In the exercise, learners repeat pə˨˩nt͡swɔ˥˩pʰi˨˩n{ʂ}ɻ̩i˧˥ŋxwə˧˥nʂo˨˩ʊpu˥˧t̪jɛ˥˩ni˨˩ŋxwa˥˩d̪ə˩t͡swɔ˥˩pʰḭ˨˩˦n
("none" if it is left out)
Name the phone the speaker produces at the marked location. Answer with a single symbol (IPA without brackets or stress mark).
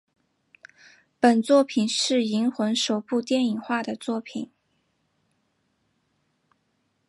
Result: ʂ